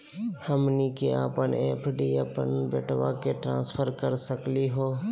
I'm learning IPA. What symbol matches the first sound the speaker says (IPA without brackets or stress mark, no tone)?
h